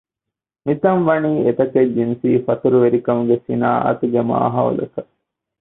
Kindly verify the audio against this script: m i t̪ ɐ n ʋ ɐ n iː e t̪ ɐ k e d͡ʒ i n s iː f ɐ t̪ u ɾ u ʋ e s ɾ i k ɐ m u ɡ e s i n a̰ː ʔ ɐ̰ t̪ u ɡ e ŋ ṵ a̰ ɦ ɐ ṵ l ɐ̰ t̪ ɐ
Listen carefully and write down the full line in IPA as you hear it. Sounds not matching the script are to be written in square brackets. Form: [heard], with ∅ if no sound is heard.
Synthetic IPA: m i t̪ ɐ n ʋ ɐ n iː e t̪ ɐ k e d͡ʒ i n s iː f ɐ t̪ u ɾ u ʋ e [∅] ɾ i k ɐ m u ɡ e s i n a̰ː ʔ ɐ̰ t̪ u ɡ e [m] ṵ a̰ ɦ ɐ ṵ l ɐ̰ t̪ ɐ